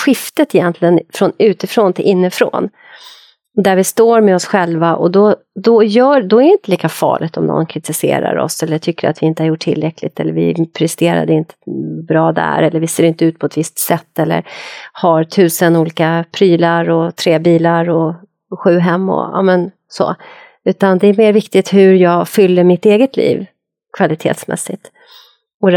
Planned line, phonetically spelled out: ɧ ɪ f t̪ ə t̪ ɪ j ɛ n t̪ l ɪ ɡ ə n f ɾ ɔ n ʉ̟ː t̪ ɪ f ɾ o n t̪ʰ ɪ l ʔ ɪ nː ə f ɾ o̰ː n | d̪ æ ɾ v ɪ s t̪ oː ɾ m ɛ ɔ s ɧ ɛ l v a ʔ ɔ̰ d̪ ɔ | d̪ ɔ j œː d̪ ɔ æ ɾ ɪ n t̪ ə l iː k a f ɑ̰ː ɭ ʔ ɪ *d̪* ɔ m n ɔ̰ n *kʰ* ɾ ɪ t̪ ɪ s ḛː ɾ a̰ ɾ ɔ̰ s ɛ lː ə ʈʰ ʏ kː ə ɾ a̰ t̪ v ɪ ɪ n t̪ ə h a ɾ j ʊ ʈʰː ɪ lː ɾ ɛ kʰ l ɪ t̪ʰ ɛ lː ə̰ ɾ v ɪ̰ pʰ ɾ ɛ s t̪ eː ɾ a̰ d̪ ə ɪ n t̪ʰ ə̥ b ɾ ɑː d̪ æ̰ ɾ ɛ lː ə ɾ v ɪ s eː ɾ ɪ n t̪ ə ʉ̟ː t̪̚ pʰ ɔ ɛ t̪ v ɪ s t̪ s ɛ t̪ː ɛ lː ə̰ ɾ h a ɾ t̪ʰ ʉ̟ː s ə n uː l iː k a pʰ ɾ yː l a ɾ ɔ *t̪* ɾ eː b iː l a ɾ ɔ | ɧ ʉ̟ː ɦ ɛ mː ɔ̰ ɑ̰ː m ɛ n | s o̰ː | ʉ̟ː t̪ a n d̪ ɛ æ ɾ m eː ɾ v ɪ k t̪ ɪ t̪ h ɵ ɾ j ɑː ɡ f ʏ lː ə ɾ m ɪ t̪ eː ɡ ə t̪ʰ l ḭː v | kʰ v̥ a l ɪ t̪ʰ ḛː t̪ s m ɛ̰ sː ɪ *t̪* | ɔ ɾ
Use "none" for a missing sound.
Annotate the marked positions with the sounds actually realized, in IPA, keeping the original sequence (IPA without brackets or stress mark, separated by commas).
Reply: t̪, kʰ, t̪ʰ, t̪